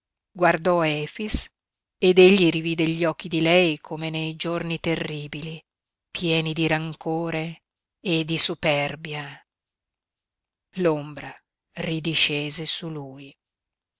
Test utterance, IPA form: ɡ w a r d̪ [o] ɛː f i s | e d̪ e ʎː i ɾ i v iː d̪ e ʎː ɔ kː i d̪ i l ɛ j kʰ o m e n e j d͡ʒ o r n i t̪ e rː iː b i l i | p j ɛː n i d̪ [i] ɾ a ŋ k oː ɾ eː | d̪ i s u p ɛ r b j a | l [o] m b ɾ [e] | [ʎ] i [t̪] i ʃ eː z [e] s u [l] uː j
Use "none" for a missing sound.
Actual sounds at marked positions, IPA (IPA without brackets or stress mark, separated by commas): ɔ, i, o, a, r, d̪, e, l